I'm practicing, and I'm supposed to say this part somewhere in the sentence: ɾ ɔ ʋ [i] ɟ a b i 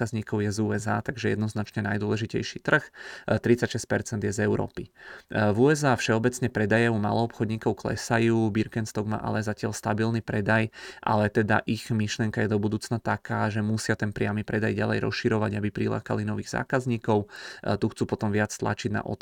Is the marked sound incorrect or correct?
incorrect